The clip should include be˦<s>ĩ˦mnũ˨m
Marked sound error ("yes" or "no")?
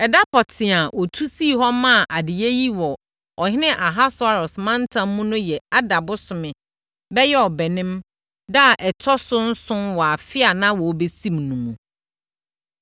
no